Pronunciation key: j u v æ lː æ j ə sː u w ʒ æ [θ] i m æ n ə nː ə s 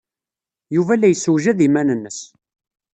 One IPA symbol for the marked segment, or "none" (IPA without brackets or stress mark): ð